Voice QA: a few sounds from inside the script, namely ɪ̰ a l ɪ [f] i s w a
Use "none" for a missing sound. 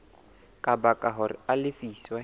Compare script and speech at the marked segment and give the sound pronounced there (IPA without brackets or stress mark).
f